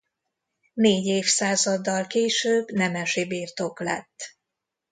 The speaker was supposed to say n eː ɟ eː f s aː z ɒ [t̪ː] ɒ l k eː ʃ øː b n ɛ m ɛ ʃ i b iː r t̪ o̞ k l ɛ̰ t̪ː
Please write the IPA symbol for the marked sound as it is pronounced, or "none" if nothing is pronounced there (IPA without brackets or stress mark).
d̪ː